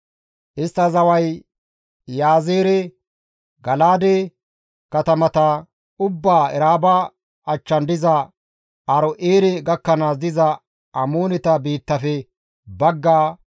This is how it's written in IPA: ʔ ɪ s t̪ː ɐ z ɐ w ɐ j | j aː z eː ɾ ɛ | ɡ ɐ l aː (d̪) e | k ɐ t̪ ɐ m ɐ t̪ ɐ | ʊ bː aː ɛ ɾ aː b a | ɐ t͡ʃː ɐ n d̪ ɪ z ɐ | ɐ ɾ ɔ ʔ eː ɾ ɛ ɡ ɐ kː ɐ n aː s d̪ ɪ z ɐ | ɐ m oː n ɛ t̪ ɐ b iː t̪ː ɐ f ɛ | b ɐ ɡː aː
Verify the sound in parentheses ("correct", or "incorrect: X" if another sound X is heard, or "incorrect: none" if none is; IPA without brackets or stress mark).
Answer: correct